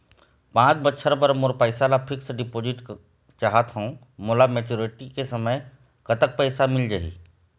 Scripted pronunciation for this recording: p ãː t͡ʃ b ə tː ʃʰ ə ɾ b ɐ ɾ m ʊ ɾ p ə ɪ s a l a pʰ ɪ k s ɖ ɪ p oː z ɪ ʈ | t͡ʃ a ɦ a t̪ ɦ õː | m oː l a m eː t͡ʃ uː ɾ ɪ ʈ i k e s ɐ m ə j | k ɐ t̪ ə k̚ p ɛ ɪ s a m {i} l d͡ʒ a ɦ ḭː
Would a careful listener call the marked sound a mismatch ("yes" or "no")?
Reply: yes